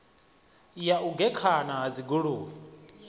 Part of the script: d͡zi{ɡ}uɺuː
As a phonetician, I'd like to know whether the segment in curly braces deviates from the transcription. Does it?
no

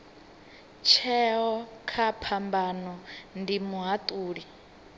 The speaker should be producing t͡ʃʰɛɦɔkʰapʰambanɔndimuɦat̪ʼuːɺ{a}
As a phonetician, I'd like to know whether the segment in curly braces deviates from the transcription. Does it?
yes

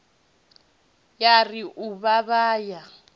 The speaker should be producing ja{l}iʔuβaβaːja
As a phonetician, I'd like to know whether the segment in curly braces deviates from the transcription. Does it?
yes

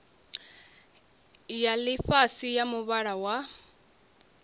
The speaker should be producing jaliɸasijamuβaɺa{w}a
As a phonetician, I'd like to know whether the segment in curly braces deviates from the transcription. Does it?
no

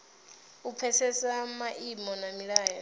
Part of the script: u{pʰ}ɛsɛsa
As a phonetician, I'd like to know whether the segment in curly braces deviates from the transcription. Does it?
no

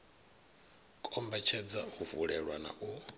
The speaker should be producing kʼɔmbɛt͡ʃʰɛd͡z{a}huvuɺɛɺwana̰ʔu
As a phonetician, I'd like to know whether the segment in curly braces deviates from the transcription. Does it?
no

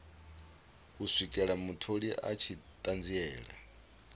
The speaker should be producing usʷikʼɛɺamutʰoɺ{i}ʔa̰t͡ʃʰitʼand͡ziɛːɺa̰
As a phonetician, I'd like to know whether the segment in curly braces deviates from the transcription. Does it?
no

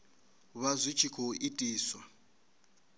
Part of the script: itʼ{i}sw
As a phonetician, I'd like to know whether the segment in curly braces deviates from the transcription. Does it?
yes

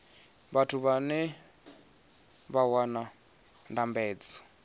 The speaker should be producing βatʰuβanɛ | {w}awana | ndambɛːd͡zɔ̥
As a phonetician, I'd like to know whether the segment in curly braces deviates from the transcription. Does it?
yes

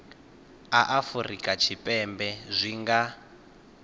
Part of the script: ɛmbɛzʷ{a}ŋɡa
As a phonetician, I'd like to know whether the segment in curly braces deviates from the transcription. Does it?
yes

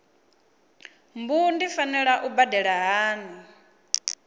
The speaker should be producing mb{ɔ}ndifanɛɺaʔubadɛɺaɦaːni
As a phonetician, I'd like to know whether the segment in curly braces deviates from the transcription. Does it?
yes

